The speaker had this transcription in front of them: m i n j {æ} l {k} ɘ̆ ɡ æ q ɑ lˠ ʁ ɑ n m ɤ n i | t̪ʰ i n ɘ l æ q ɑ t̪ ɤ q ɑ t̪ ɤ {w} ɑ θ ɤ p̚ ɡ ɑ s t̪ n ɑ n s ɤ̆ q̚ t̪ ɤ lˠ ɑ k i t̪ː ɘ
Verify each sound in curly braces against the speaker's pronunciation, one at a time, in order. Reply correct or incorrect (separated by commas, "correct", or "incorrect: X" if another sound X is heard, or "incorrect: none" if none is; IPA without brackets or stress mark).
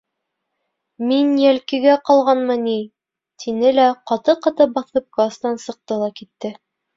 correct, correct, incorrect: b